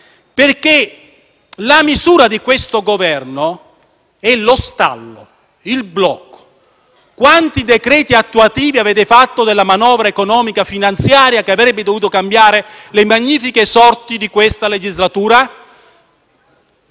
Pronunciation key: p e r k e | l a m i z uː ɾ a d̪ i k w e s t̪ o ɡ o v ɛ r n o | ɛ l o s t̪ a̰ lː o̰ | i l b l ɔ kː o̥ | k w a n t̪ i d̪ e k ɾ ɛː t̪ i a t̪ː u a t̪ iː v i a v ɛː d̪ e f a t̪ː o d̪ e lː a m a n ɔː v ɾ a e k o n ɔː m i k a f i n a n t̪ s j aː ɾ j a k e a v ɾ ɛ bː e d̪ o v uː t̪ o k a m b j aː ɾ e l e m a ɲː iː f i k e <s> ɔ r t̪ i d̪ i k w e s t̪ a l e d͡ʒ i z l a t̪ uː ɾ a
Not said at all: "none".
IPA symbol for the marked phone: s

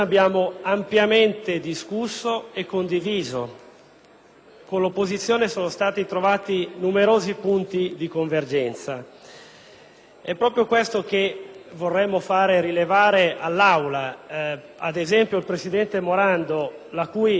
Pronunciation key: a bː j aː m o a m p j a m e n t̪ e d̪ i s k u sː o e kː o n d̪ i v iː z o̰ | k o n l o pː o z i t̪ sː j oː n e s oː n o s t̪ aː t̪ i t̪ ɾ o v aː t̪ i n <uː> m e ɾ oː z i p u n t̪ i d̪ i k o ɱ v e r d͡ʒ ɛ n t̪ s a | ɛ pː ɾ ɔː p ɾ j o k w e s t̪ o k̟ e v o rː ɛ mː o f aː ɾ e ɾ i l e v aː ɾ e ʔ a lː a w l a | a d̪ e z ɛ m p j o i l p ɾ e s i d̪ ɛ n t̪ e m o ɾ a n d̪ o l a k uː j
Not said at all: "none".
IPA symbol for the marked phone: u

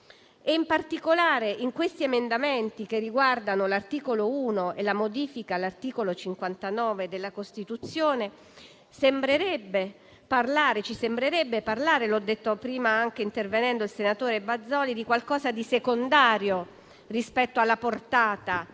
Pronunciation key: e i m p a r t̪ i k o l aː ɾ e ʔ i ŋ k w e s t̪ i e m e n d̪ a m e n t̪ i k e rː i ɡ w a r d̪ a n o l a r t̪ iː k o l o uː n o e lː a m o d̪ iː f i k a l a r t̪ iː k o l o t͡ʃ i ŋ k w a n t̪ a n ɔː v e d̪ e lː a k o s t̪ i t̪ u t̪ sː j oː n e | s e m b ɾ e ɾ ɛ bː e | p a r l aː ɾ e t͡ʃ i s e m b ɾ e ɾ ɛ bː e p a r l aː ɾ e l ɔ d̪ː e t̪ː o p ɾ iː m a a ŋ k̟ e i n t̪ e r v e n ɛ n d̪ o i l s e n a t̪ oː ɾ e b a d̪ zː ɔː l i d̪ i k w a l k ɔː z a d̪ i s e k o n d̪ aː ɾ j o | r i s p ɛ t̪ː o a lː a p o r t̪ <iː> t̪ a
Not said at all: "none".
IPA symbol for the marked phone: aː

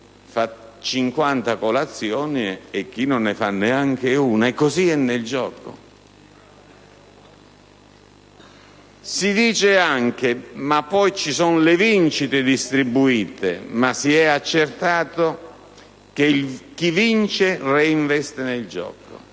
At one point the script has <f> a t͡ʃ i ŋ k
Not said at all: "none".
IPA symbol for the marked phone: f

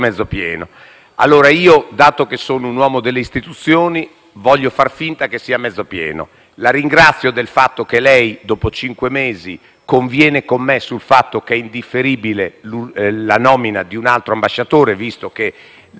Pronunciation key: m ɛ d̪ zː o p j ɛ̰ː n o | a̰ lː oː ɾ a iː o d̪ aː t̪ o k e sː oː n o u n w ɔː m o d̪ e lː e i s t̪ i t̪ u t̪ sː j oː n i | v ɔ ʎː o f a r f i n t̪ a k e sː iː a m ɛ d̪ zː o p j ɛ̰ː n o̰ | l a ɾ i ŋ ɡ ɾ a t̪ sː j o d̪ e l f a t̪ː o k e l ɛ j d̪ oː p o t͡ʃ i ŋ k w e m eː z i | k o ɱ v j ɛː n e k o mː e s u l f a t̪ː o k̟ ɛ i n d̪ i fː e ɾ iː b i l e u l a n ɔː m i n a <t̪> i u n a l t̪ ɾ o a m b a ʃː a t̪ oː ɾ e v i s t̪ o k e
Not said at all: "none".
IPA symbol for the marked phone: d̪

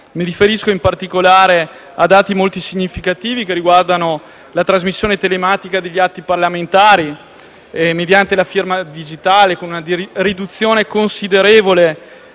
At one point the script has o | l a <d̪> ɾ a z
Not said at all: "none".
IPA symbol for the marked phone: t̪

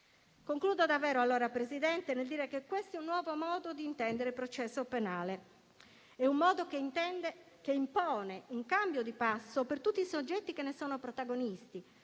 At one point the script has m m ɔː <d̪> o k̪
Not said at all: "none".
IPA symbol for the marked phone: d̪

